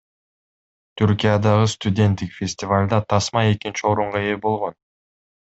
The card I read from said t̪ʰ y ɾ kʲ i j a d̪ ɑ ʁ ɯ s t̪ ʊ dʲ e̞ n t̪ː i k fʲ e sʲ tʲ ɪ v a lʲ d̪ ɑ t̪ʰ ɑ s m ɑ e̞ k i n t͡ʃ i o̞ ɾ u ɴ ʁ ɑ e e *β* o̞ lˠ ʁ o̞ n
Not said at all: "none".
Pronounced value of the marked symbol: b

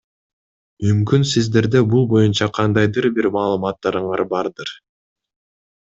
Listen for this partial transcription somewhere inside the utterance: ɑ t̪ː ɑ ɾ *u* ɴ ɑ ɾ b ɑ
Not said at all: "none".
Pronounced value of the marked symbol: ɯ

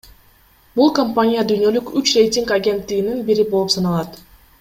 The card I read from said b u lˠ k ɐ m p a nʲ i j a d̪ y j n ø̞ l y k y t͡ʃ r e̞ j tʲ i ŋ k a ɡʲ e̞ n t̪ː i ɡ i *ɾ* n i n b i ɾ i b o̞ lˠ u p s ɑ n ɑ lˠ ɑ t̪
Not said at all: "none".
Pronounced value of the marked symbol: none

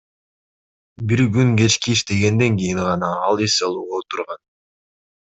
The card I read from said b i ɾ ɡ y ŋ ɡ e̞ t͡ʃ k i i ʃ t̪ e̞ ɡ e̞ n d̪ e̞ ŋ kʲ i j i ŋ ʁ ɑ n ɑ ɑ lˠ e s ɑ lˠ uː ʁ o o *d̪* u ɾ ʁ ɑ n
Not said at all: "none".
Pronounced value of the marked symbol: t̪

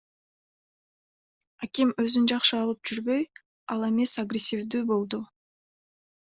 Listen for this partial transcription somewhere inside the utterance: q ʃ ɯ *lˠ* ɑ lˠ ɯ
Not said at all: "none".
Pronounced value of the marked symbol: none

